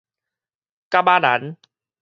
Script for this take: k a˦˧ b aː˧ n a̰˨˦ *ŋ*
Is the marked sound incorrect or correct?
incorrect